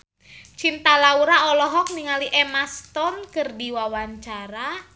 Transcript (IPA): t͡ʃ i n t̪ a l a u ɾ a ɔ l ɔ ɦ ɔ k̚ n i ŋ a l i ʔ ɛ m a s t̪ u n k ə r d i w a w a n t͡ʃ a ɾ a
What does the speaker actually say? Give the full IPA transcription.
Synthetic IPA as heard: t͡ʃ i n t̪ a l a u ɾ a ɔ l ɔ ɦ ɔ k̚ n i ŋ a l i ʔ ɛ m a s t̪ ɔ n k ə r d i w a w a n t͡ʃ a ɾ a